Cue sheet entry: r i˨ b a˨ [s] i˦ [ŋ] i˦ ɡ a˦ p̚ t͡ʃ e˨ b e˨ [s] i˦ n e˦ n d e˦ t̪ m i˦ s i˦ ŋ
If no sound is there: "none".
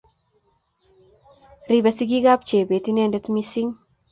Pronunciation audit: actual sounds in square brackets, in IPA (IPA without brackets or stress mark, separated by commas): s, ɡ, t